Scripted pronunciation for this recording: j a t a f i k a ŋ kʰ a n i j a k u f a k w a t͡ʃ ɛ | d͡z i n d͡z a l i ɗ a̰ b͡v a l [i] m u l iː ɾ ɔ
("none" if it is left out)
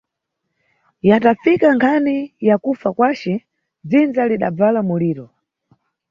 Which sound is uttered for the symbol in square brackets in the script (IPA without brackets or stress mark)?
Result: a